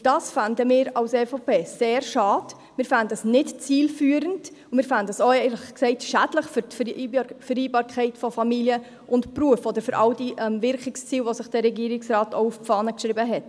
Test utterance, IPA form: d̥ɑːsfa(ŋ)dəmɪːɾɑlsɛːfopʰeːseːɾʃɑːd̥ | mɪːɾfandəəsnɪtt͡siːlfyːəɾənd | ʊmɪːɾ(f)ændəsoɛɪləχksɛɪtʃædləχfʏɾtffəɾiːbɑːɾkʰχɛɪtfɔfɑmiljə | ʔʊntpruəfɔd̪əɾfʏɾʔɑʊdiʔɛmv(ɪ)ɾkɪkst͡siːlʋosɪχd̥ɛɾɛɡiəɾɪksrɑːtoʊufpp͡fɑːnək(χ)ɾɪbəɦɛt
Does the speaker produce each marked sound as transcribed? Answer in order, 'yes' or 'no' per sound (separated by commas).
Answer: no, yes, yes, no